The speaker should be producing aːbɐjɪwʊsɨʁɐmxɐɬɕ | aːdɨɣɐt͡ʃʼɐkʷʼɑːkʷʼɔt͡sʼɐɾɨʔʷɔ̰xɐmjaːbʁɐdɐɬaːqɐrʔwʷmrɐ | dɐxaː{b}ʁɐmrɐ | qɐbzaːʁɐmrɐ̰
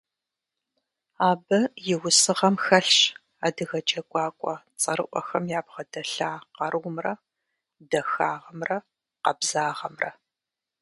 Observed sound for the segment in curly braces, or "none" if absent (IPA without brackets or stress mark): none